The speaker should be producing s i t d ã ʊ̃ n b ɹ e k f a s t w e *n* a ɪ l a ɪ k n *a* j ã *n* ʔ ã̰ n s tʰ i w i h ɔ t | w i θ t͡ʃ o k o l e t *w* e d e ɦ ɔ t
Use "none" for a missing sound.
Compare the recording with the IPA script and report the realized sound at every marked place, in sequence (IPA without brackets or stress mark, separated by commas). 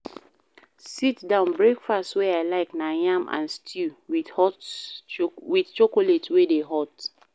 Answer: none, a, m, w